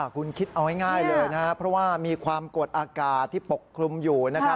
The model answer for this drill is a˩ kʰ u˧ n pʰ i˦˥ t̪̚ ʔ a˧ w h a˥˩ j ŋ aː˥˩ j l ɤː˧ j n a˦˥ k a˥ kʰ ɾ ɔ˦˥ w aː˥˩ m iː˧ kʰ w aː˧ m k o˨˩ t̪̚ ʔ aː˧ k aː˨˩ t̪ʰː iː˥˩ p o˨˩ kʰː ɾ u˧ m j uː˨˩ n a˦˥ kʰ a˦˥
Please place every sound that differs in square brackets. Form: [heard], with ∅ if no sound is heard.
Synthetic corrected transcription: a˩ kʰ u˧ n [kʰ] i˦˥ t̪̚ ʔ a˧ w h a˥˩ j ŋ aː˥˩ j l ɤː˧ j n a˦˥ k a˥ [pʰ] ɾ ɔ˦˥ w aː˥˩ m iː˧ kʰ w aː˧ m k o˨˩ t̪̚ ʔ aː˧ k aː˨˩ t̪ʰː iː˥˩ p o˨˩ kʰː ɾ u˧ m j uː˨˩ n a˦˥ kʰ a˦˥